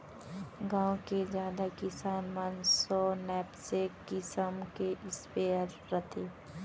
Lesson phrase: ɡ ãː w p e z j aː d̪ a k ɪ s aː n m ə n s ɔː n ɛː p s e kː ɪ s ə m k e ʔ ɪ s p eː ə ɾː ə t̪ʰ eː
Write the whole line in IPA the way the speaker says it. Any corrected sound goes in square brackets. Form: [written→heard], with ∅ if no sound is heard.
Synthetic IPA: ɡ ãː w [p→k] e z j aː d̪ a k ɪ s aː n m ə n s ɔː n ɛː p s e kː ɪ s ə m k e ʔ ɪ s p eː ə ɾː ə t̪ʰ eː